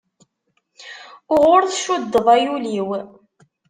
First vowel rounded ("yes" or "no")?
yes